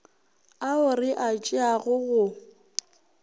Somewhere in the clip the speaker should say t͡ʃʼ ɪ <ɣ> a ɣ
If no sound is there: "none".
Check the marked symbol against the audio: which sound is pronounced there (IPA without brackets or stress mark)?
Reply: none